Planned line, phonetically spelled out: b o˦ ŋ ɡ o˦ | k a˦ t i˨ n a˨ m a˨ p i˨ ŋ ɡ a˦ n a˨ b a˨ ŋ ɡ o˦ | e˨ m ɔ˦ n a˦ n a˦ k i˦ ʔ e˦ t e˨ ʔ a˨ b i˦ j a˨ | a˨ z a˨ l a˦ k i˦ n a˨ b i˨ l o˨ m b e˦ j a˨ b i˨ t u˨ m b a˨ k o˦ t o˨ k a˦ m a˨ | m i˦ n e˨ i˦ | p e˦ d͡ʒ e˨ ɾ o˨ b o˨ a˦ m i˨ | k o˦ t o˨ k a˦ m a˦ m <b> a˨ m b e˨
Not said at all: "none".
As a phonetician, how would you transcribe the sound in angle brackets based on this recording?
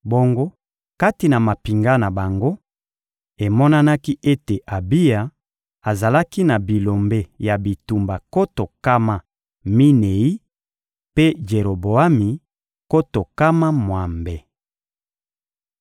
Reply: w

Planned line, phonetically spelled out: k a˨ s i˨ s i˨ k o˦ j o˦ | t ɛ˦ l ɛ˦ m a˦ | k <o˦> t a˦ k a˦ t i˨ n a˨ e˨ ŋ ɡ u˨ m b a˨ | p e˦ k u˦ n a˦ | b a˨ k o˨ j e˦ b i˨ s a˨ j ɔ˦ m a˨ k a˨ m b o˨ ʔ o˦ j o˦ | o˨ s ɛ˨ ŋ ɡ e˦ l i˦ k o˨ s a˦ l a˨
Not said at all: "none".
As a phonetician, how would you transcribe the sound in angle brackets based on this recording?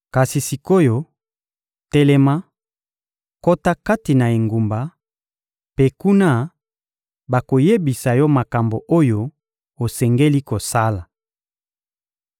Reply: o˦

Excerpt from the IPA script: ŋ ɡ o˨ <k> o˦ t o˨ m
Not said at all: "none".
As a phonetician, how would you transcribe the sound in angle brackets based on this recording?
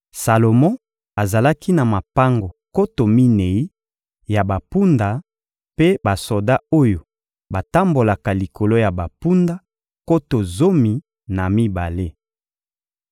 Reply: k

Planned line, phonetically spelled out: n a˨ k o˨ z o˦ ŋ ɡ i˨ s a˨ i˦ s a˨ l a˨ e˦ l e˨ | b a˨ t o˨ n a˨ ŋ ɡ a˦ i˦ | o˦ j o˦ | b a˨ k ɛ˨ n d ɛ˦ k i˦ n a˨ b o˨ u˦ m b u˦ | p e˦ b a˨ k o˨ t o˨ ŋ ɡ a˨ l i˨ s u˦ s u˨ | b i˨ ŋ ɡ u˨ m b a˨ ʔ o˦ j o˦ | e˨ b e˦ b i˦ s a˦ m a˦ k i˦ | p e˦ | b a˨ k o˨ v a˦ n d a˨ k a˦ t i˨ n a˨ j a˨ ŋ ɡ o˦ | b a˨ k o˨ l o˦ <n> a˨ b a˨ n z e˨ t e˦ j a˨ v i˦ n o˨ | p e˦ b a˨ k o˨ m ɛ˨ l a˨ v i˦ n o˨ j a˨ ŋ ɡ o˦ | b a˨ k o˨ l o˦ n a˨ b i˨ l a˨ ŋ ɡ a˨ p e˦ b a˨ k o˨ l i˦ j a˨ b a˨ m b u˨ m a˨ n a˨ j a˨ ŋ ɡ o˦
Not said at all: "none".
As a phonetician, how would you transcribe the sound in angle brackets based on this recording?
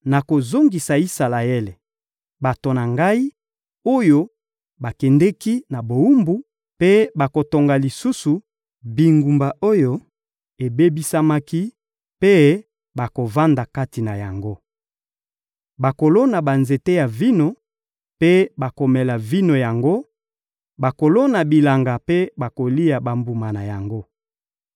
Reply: n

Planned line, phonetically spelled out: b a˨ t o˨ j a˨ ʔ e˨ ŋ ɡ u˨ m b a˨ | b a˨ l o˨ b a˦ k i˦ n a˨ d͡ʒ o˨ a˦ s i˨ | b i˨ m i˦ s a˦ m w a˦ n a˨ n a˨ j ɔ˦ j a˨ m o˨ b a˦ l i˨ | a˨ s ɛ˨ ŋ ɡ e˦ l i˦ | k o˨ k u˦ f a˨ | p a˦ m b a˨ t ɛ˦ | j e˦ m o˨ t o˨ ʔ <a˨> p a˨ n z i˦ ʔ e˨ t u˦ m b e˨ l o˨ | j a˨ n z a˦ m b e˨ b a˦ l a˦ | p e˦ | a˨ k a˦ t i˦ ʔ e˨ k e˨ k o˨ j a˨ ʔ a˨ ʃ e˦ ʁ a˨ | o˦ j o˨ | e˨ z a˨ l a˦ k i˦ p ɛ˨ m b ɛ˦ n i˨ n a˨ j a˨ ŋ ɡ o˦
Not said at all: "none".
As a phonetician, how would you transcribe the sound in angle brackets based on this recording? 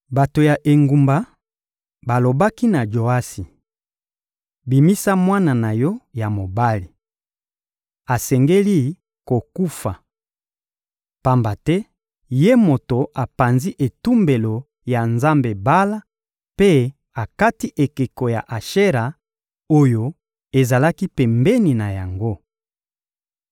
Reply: a˨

